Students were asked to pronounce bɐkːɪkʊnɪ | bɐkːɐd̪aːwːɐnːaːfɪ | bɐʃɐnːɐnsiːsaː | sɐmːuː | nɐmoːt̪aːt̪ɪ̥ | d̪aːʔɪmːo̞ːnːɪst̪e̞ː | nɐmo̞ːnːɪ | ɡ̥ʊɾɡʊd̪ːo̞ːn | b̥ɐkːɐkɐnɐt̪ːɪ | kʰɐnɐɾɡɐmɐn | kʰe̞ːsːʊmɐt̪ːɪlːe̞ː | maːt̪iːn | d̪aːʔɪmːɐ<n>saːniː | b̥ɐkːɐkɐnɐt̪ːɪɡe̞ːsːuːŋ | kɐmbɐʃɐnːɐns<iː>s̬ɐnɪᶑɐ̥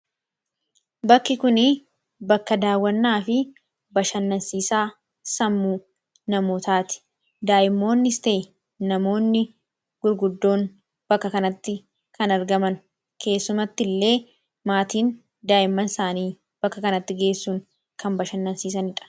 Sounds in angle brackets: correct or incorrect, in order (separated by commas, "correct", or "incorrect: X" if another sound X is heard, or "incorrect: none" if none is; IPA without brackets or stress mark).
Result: correct, correct